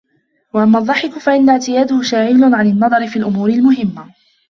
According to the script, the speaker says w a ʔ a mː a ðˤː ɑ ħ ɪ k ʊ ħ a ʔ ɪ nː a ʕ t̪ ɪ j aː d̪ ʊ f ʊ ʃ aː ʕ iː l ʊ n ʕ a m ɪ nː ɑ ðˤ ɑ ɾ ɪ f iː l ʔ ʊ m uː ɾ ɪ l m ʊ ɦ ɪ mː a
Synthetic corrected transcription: w a ʔ a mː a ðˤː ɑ ħ ɪ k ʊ f a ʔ ɪ nː a ʕ t̪ ɪ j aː d̪ ʊ h ʊ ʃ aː ʕ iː l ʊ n ʕ a n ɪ nː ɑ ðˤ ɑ ɾ ɪ f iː l ʔ ʊ m uː ɾ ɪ l m ʊ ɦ ɪ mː a